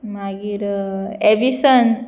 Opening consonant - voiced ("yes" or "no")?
yes